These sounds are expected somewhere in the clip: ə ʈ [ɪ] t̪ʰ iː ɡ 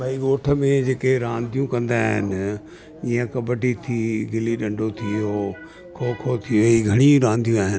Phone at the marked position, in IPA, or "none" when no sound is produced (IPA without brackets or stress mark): i